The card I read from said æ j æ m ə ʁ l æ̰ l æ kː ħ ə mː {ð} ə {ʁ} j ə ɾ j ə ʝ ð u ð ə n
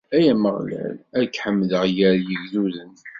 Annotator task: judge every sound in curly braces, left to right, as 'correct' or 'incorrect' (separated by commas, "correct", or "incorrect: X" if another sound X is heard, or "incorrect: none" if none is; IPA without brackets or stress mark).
correct, correct